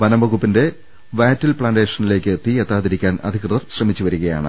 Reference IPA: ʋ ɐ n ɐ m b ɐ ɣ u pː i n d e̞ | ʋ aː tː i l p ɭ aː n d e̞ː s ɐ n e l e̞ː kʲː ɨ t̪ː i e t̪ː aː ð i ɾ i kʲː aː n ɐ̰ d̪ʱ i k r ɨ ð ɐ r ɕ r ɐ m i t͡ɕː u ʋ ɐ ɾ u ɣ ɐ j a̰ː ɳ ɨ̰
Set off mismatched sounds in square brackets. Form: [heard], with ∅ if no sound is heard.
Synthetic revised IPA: ʋ ɐ n ɐ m b ɐ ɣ u pː i n d e̞ | ʋ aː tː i l p ɭ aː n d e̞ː [ʂ] ɐ n [i] l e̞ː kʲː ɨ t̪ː i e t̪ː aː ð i ɾ i kʲː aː n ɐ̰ d̪ʱ i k r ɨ ð ɐ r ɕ r ɐ m i t͡ɕː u ʋ ɐ ɾ u ɣ ɐ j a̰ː ɳ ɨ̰